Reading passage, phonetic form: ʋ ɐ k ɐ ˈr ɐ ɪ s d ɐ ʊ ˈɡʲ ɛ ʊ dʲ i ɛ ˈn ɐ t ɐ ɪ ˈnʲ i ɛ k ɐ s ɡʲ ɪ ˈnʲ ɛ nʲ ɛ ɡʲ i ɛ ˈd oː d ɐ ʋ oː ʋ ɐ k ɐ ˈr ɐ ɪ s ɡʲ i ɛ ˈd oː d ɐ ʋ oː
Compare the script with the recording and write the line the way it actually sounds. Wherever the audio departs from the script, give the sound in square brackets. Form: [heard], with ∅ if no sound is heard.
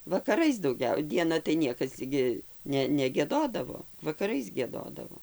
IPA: ʋ ɐ k ɐ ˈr ɐ ɪ s d ɐ ʊ ˈɡʲ ɛ ʊ dʲ i ɛ ˈn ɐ t ɐ ɪ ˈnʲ i ɛ k ɐ s ɡʲ ɪ ˈnʲ ɛ nʲ ɛ ɡʲ i ɛ ˈd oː d ɐ ʋ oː ʋ ɐ k ɐ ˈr ɐ ɪ s ɡʲ i ɛ ˈd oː d ɐ ʋ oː